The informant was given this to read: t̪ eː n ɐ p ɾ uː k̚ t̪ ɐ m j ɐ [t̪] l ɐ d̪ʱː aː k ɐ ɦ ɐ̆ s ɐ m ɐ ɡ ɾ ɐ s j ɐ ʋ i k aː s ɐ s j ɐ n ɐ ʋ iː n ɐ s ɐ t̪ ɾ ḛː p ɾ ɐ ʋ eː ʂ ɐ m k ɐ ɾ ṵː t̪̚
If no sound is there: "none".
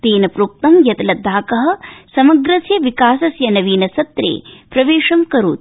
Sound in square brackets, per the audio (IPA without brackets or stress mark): t̪